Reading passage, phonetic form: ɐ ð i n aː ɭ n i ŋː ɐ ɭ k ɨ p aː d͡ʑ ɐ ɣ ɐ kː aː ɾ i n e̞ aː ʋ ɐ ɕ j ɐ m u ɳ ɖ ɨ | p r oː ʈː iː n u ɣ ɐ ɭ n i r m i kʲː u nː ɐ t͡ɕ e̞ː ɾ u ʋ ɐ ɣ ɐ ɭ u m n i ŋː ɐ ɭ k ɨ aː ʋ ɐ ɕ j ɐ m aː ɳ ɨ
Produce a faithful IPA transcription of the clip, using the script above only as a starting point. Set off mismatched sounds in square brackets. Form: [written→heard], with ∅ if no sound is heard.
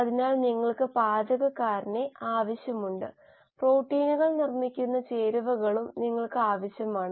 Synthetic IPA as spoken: ɐ ð i n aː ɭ n i ŋː ɐ ɭ k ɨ p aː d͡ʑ ɐ ɣ ɐ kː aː ɾ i n e̞ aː ʋ ɐ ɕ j ɐ m u ɳ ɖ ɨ | p r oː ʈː iː n u ɣ ɐ ɭ n i r m i kʲː u nː ɐ t͡ɕ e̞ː ɾ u ʋ ɐ ɣ ɐ ɭ u m n i ŋː ɐ ɭ k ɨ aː ʋ ɐ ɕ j ɐ m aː ɳ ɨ